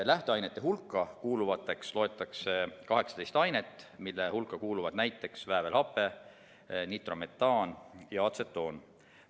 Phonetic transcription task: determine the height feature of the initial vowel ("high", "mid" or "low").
low